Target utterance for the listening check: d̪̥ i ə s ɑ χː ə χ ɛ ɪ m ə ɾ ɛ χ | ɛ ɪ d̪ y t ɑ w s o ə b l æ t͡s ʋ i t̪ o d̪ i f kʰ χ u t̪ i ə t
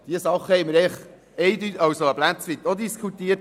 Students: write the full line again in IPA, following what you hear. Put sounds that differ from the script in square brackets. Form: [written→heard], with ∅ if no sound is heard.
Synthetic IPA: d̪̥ i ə s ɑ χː ə [χ→h] ɛ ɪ m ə ɾ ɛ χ | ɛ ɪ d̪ y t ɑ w s o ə b l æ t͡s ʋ i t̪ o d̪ i [f→s] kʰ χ u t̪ i ə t